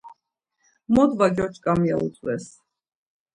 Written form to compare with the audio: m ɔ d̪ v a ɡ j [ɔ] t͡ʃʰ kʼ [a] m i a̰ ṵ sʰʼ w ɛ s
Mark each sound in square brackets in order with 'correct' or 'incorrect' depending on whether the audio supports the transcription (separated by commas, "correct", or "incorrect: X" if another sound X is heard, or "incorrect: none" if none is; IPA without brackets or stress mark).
correct, correct